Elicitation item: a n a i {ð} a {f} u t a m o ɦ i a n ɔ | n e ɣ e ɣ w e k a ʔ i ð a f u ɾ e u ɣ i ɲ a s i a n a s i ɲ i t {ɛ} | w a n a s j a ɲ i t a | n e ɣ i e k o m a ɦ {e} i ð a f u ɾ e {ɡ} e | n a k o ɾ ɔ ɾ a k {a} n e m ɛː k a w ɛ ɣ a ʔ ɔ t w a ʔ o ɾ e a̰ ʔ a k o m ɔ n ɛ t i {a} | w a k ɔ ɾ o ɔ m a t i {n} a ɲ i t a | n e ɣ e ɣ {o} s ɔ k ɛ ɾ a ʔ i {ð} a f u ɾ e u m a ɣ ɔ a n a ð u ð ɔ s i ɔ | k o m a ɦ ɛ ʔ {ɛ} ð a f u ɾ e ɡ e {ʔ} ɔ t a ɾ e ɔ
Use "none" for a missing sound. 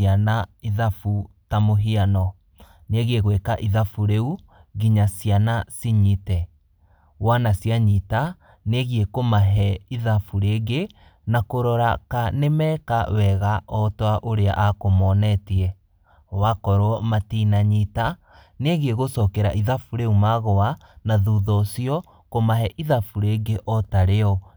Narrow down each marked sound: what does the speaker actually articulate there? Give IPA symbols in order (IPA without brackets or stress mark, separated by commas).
ð, f, ɛ, ɛ, ɡ, a, ɛ, n, o, ð, i, ʔ